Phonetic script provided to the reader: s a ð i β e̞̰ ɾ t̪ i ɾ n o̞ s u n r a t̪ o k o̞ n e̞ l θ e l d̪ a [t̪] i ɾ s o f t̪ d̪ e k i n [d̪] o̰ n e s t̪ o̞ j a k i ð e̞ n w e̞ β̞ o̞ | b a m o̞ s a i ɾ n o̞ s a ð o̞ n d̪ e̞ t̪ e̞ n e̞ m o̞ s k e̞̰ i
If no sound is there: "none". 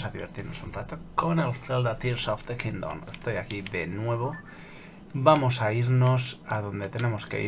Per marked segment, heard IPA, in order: t̪, d̪

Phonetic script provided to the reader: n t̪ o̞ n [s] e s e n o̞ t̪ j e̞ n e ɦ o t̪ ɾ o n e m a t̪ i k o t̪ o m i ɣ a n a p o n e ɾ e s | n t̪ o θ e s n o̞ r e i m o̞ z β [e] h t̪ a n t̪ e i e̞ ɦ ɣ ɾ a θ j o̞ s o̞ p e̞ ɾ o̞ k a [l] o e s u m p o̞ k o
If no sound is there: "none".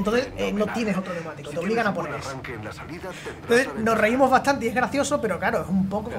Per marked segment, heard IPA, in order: θ, a, ɾ

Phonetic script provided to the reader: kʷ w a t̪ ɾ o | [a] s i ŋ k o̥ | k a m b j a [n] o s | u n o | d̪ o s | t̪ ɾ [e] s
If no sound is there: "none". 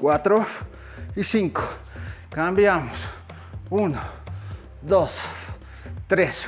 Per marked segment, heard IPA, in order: i, m, e

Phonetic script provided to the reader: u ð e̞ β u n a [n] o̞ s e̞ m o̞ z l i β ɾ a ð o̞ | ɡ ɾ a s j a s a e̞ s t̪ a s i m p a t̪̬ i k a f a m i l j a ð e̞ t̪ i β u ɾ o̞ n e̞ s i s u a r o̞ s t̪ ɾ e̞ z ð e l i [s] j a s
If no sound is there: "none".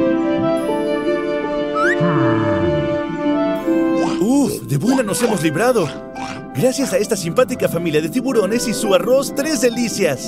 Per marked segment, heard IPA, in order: n, s

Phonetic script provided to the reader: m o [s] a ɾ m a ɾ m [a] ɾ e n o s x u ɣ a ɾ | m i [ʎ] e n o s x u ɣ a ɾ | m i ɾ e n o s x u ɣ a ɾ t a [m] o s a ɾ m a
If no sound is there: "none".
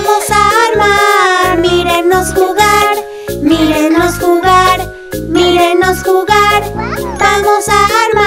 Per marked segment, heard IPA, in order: s, i, ɾ, m

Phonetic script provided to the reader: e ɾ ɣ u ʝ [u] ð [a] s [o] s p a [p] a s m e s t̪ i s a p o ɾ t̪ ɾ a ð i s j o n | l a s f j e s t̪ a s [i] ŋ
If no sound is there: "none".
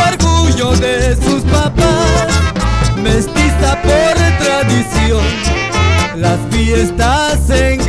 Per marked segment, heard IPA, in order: o, e, u, p, e

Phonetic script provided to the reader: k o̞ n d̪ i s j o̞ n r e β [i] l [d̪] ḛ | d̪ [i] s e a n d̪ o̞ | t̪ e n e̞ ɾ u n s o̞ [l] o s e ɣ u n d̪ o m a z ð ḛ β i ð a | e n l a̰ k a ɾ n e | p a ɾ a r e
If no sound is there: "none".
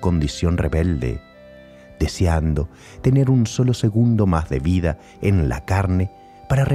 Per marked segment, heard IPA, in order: e, d̪, e, l

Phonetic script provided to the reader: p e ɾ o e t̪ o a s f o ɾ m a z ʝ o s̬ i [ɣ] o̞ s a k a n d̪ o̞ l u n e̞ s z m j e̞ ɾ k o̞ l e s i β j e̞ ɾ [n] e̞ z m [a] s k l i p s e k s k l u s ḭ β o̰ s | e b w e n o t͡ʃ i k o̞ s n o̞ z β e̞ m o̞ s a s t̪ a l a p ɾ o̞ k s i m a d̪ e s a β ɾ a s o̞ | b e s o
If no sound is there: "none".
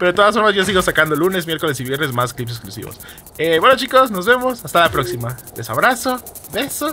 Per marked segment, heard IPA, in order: ɣ, n, a

